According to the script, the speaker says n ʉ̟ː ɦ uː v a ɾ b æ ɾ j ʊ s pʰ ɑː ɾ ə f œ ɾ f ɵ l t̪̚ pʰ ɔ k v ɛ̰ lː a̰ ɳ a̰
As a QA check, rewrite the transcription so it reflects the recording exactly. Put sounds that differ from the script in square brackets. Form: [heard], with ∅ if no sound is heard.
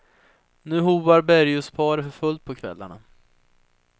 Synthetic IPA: n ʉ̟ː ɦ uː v a ɾ b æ ɾ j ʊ s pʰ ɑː ɾ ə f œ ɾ f ɵ l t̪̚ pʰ ɔ [kʰ] v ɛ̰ lː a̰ ɳ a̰

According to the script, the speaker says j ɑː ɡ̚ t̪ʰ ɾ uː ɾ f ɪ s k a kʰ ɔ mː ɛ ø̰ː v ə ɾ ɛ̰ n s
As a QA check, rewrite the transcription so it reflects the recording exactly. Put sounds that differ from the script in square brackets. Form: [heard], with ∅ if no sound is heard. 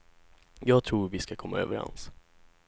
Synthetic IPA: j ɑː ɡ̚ t̪ʰ ɾ uː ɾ [v] ɪ s k a kʰ ɔ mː [a] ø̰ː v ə ɾ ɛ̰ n s

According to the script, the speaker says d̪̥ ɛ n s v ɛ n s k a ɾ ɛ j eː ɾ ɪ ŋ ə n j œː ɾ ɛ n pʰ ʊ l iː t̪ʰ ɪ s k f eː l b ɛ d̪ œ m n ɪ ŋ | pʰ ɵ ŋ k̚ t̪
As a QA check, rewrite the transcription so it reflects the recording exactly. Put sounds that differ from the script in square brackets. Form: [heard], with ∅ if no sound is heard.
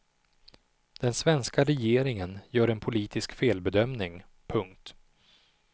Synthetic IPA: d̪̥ ɛ n s v ɛ n s k a ɾ ɛ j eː ɾ ɪ ŋ ə n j œː ɾ ɛ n pʰ ʊ l iː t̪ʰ ɪ s k f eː l b ɛ d̪ œ m n ɪ ŋ | pʰ ɵ ŋ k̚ t̪

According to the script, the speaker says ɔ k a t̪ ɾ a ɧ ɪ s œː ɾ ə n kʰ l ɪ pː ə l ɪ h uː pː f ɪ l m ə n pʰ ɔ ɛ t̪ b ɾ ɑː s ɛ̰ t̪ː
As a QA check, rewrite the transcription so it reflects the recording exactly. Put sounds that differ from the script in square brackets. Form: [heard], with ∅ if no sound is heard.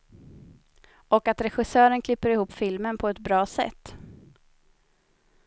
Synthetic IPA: ɔ k a t̪ ɾ [ɛ] ɧ ɪ s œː ɾ ə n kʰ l ɪ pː ə [ɾ] ɪ h uː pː f ɪ l m ə n pʰ ɔ ɛ t̪ b ɾ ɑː s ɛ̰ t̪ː

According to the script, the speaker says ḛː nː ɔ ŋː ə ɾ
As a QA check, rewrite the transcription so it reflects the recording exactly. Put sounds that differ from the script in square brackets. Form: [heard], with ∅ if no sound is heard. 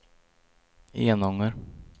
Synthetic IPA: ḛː [n] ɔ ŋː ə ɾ

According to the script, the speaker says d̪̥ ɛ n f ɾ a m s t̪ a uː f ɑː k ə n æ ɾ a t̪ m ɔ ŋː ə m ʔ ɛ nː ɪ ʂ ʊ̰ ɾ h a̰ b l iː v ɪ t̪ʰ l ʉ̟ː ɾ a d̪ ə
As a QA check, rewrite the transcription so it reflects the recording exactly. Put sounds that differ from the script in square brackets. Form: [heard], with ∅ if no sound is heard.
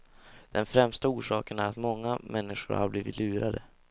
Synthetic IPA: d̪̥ ɛ n f ɾ [ɛ] m s t̪ a uː [ʂ] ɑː k ə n æ ɾ a t̪ m ɔ ŋː [a] m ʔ ɛ nː ɪ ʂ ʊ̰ ɾ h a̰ b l iː v ɪ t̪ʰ l ʉ̟ː ɾ a d̪ ə

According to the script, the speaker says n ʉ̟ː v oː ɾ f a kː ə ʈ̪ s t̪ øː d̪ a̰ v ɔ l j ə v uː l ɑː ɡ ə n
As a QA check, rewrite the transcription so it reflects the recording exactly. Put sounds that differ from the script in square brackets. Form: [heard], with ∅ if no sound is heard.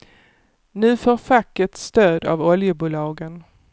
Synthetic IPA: n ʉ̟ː [f] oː ɾ f a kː ə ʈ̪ s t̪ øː d̪ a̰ v ɔ l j ə [b] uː l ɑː ɡ ə n

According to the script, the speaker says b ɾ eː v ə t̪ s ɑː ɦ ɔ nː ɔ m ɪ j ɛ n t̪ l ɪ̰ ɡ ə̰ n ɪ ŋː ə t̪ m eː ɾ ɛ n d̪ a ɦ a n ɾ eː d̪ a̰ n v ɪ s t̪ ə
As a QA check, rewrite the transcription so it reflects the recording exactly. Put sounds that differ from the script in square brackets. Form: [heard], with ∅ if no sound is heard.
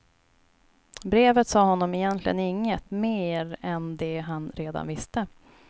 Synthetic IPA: b ɾ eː v ə t̪ s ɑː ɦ ɔ nː ɔ m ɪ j ɛ n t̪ l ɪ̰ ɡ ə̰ n ɪ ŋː ə t̪ m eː ɾ ɛ n d̪ [ɛ] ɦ a n ɾ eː d̪ a̰ n v ɪ s t̪ ə

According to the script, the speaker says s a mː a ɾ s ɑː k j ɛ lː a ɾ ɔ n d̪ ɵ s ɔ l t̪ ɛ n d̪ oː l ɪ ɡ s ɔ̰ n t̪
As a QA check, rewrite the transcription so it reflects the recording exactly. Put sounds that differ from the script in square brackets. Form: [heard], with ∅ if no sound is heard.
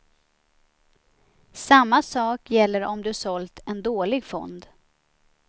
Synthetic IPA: s a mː a [∅] s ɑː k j ɛ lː [ə] ɾ ɔ [m] d̪ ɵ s ɔ l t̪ ɛ n d̪ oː l ɪ ɡ [f] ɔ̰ n [d̪]

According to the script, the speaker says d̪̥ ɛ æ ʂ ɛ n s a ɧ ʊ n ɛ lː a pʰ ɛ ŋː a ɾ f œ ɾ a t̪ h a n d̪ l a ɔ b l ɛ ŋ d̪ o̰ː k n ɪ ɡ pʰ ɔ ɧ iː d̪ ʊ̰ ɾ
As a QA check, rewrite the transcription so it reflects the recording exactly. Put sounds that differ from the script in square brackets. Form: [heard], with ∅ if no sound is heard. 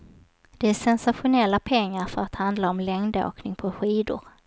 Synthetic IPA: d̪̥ ɛ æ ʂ ɛ n s a ɧ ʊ n ɛ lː a pʰ ɛ ŋː a ɾ f œ ɾ a t̪ h a n d̪ l a ɔ [m] l ɛ ŋ d̪ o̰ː k n ɪ [ŋ] pʰ ɔ ɧ iː d̪ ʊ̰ ɾ

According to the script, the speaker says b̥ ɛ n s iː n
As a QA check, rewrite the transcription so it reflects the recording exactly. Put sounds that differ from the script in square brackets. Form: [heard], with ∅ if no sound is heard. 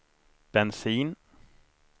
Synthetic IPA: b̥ ɛ n s iː n

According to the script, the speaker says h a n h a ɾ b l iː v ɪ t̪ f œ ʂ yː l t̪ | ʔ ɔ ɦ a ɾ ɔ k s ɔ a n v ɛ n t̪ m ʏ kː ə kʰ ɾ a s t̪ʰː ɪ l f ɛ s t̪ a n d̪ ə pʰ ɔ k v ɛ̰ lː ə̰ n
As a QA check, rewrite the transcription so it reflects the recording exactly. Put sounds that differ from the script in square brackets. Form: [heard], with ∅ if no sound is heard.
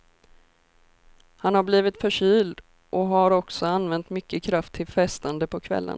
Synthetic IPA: h a n h a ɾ b l iː v ɪ t̪ f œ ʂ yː l [d̪] | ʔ ɔ ɦ a ɾ ɔ k s ɔ a n v ɛ n t̪ m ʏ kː ə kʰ ɾ a [f] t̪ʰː ɪ l f ɛ s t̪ a n d̪ ə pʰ ɔ [kʰ] v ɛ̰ lː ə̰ n

